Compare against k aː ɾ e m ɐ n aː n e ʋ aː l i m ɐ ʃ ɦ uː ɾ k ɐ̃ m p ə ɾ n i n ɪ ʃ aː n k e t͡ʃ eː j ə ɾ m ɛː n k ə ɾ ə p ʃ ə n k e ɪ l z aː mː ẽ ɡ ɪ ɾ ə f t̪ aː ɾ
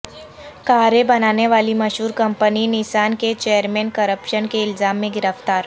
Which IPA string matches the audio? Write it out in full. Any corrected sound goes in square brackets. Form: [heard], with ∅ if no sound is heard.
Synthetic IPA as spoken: k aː ɾ e [b] ɐ n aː n e ʋ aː l i m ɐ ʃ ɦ uː ɾ k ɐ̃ m p ə [∅] n i n ɪ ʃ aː n k e t͡ʃ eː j ə ɾ m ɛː n k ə ɾ ə p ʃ ə n k e ɪ l z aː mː ẽ ɡ ɪ ɾ ə f t̪ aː ɾ